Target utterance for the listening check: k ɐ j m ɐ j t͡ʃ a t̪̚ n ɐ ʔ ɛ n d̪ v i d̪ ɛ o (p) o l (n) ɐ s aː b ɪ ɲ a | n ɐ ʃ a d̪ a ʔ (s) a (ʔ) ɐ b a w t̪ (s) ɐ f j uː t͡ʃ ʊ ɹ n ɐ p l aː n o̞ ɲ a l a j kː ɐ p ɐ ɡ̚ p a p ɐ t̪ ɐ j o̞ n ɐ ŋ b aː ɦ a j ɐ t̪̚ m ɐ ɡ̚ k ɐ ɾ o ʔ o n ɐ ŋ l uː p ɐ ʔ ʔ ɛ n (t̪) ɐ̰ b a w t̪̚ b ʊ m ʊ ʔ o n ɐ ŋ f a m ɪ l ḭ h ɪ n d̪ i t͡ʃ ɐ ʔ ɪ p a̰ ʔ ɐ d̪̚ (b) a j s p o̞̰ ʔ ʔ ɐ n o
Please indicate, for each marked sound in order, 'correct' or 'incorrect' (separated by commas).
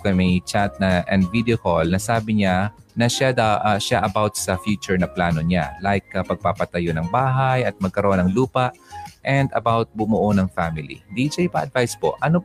incorrect, correct, incorrect, correct, correct, incorrect, incorrect